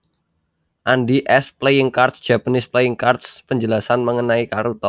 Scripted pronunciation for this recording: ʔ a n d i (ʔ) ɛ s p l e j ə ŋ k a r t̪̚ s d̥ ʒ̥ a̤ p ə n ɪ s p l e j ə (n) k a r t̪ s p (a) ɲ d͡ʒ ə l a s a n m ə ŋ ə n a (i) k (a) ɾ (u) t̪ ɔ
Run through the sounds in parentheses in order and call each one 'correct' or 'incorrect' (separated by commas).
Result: correct, incorrect, incorrect, correct, correct, correct